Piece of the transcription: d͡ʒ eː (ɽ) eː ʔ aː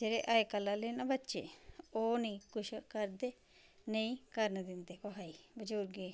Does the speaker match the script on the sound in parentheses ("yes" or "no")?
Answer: no